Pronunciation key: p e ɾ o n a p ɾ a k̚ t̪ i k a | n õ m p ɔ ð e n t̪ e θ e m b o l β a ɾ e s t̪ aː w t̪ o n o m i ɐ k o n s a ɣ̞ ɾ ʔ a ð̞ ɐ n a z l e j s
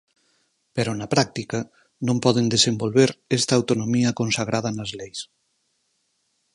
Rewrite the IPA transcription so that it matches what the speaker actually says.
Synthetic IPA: p e ɾ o n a p ɾ a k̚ t̪ i k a | n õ m p ɔ ð e n d̪ e s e m b o l β e ɾ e s t̪ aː w t̪ o n o m i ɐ k o n s a ɣ̞ ɾ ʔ a ð̞ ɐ n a z l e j s

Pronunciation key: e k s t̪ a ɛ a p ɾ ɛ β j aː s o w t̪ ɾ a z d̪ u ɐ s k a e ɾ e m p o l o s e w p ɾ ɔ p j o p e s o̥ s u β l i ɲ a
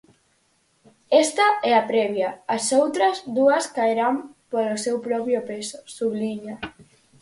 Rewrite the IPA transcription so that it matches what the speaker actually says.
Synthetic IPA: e s t̪ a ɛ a p ɾ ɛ β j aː s o w t̪ ɾ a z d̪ u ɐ s k a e ɾ a m p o l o s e w p ɾ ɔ p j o p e s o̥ s u β l i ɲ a

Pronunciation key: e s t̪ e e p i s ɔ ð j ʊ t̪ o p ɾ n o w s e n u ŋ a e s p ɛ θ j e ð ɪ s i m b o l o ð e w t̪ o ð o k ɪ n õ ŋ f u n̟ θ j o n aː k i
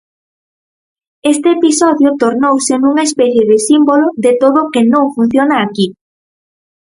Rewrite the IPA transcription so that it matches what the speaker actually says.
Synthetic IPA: e s t̪ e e p i s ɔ ð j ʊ t̪ o ɾ n o w s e n u ŋ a e s p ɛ θ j e ð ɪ s i m b o l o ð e t̪ o ð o k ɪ n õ ŋ f u n̟ θ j o n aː k i

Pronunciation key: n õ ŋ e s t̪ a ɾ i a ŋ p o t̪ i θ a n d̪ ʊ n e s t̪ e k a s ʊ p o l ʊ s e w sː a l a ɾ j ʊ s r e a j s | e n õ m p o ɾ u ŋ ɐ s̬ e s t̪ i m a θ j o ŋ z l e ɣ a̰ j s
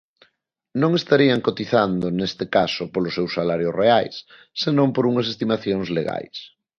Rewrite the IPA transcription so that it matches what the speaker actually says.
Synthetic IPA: n õ ŋ e s t̪ a ɾ i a ŋ k o t̪ i θ a n d̪ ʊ n e s t̪ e k a s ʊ p o l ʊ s e w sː a l a ɾ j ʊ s r e a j sː | e n õ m p o ɾ u ŋ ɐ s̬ e s t̪ i m a θ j o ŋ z l e ɣ a̰ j s

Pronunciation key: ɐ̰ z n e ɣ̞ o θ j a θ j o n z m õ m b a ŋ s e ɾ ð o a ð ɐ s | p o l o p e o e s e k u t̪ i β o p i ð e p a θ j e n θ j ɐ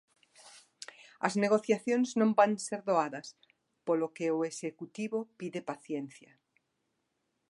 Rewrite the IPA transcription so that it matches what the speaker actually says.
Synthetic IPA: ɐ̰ z n e ɣ̞ o θ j a θ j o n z n õ m b a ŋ s e ɾ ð o a ð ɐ s | p o l o k e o e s e k u t̪ i β o p i ð e p a θ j e n θ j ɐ

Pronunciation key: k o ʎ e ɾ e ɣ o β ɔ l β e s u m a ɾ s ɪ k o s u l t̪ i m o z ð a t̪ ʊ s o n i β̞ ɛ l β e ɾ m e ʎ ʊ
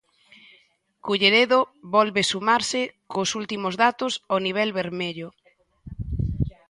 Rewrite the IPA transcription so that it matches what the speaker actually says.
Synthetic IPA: k u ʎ e ɾ e ð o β ɔ l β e s u m a ɾ s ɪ k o s u l t̪ i m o z ð a t̪ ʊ s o n i β̞ ɛ l β e ɾ m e ʎ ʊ

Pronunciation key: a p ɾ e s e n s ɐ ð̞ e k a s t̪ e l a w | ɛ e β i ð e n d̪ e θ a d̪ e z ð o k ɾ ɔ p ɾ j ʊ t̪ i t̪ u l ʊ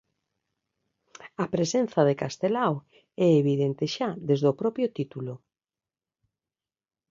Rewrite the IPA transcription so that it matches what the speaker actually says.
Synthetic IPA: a p ɾ e s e n θ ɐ ð̞ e k a s t̪ e l a w | ɛ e β i ð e n t̪ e ʃ a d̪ e z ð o p ɾ ɔ p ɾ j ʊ t̪ i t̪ u l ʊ

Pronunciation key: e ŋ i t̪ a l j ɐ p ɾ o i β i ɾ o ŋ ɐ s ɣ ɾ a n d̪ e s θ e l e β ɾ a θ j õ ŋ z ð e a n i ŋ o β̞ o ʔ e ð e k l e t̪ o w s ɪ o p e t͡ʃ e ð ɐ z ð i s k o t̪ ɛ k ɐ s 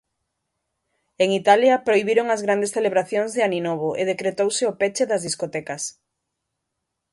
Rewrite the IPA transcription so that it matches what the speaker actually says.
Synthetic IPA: e ŋ i t̪ a l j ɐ p ɾ o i β i ɾ o ŋ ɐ z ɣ ɾ a n d̪ e s θ e l e β ɾ a θ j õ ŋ z ð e a n i n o β̞ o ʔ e ð e k ɾ e t̪ o w s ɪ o p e t͡ʃ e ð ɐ z ð i s k o t̪ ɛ k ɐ s

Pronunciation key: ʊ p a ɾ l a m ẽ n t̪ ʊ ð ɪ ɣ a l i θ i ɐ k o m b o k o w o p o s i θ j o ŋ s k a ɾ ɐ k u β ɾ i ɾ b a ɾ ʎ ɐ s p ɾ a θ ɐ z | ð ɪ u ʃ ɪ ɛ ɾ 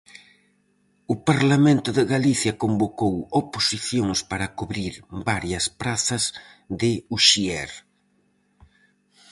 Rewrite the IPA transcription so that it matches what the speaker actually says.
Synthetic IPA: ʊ p a ɾ l a m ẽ n t̪ ʊ ð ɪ ɣ a l i θ j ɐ k o m b o k o w o p o s i θ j o ŋ s p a ɾ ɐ k u β ɾ i ɾ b a ɾ j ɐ s p ɾ a θ ɐ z | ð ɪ u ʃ i ɛ ɾ

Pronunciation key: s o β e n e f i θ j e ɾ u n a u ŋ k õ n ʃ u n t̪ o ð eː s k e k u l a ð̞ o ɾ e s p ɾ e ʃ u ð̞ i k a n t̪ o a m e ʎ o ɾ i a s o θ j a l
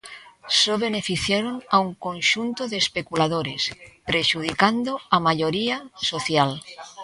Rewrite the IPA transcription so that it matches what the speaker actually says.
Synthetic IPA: s o β e n e f i θ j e ɾ o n a u ŋ k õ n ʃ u n t̪ o ð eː s p e k u l a ð̞ o ɾ e s p ɾ e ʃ u ð̞ i k a n d̪ o a m a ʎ o ɾ i a s o θ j a l

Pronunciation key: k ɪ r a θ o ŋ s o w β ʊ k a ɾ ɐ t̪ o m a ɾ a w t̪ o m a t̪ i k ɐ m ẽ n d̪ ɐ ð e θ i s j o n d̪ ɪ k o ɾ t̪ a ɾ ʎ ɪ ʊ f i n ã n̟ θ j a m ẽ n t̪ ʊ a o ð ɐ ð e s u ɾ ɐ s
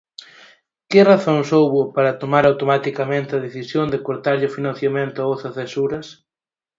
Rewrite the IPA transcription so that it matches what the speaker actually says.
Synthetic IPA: k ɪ r a θ o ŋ s o w β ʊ p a ɾ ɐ t̪ o m a ɾ a w t̪ o m a t̪ i k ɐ m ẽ n t̪ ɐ ð e θ i s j o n d̪ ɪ k o ɾ t̪ a ɾ ʎ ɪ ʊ f i n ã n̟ θ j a m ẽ n t̪ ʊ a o θ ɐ θ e s u ɾ ɐ s

